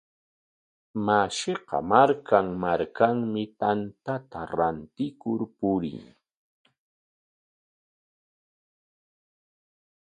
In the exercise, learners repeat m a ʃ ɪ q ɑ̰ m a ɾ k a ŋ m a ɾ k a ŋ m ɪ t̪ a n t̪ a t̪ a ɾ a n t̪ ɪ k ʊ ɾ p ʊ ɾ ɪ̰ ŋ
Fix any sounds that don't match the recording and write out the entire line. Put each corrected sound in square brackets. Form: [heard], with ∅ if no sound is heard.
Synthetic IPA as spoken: m a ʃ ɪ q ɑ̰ m a ɾ k a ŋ m a ɾ k a ŋ m ɪ t̪ a n t̪ a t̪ a ɾ a n t̪ ɪ k ʊ ɾ p ʊ ɾ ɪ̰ ŋ